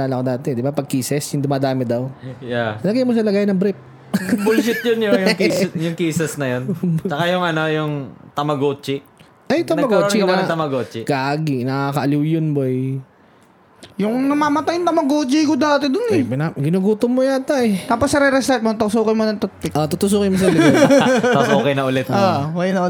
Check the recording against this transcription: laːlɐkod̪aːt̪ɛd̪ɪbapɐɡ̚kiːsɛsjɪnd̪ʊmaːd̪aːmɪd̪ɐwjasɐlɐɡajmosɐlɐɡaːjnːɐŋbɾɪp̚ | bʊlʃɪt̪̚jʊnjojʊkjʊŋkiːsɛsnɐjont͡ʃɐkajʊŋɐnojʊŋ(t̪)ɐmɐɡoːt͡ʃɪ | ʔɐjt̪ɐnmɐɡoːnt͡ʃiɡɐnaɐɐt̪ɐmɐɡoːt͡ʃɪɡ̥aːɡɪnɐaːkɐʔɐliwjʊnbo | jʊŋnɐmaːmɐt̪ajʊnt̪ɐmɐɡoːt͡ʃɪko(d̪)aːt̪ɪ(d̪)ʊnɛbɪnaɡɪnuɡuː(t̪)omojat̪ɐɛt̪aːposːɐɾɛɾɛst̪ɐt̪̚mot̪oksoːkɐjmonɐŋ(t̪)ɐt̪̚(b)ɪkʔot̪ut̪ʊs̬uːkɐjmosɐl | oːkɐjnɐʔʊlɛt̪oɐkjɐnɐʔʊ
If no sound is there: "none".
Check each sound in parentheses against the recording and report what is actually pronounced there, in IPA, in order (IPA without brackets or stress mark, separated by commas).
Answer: t̪, d̪, d̪, t̪, t̪, p